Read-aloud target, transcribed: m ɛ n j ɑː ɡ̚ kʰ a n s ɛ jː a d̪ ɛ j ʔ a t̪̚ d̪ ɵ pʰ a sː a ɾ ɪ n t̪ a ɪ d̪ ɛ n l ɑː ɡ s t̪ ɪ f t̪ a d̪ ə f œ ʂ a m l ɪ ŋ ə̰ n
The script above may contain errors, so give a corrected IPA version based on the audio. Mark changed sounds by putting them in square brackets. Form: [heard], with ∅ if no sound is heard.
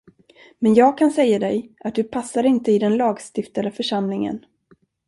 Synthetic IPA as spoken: m ɛ n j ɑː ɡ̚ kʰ a n s ɛ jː a d̪ ɛ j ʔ a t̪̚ d̪ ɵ pʰ a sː a ɾ ɪ n t̪ [ə] ɪ d̪ ɛ n l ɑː ɡ s t̪ ɪ f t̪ a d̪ ə f œ ʂ a m l ɪ ŋ ə̰ n